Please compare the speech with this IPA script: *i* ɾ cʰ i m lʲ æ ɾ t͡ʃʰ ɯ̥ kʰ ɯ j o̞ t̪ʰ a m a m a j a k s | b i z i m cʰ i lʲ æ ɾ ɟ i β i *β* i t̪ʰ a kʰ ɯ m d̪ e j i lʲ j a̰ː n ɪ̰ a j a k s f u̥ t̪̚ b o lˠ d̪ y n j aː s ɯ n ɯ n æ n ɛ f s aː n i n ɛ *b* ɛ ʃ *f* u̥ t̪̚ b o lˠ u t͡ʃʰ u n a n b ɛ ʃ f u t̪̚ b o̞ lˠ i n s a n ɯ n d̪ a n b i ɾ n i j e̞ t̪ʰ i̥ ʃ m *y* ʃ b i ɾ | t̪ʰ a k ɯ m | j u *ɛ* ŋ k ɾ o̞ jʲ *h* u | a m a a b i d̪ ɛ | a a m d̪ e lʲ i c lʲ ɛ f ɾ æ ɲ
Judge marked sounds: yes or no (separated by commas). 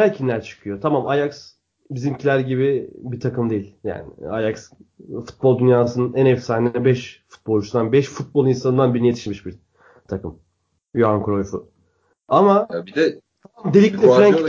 no, no, yes, yes, no, no, no